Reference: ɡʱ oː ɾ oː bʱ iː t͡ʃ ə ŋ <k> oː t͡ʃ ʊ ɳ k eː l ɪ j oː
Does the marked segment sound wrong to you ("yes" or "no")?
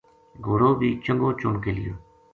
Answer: yes